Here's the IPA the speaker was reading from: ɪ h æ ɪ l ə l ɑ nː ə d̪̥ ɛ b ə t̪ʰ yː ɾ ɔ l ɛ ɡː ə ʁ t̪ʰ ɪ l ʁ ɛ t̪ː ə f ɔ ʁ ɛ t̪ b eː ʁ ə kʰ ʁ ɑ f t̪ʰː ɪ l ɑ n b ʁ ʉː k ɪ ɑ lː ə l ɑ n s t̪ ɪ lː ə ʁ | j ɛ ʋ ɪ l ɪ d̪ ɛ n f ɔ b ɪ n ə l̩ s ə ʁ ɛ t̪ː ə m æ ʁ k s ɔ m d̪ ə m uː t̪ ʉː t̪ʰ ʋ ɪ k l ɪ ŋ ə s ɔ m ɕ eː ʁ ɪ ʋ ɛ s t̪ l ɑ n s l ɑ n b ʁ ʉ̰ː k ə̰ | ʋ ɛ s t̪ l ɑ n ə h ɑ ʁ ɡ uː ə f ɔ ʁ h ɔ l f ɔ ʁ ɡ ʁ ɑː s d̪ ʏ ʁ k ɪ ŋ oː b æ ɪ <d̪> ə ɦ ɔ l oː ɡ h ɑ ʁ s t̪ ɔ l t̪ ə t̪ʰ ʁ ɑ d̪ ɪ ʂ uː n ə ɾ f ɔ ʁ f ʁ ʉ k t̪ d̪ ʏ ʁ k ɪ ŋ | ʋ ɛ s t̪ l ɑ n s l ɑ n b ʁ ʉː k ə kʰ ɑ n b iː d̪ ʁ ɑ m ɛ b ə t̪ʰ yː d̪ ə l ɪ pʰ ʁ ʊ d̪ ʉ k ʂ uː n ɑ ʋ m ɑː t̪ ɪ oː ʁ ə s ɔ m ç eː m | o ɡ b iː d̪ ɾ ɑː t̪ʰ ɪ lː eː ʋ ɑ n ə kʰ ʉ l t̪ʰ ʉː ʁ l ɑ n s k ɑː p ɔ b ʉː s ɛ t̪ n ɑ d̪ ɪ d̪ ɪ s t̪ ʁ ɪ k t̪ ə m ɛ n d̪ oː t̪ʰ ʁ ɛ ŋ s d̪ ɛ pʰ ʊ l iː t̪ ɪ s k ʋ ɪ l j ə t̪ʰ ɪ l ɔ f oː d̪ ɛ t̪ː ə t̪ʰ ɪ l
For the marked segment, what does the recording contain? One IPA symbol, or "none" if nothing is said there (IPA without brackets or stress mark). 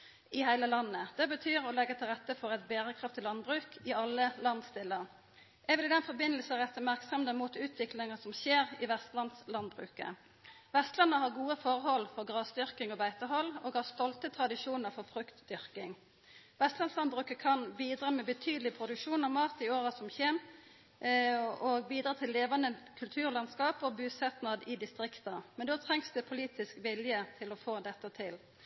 t̪